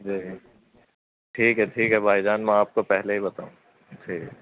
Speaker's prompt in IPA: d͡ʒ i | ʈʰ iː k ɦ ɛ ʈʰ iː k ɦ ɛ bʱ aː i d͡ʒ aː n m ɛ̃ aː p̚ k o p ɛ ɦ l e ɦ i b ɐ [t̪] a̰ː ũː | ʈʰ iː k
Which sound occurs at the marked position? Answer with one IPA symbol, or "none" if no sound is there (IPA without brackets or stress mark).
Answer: t̪